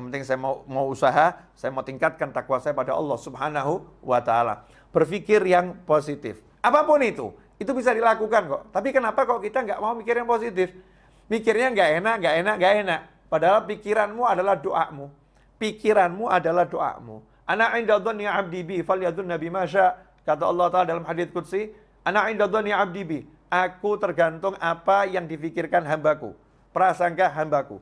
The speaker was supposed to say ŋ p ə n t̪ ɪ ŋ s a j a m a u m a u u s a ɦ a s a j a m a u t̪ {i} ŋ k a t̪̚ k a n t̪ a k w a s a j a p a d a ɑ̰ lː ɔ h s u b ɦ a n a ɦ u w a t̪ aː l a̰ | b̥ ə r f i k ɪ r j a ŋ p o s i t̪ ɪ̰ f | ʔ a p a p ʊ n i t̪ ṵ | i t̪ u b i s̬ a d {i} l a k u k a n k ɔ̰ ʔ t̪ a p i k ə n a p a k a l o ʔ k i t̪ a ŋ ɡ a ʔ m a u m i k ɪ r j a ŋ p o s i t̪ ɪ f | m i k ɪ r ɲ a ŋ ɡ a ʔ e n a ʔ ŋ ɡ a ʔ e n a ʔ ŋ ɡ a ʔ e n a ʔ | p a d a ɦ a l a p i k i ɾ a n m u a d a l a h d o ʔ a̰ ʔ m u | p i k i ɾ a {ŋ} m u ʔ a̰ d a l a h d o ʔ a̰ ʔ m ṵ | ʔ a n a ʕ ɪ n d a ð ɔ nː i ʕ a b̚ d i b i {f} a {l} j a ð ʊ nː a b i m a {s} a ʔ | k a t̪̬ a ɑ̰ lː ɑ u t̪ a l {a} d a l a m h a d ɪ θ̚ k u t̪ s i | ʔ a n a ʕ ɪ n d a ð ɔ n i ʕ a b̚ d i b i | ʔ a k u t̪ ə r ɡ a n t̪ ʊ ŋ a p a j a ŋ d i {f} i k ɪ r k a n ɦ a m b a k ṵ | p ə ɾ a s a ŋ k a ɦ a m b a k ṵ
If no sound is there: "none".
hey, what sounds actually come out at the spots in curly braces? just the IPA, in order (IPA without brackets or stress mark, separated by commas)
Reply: i, i, n, f, l, ʃ, a, f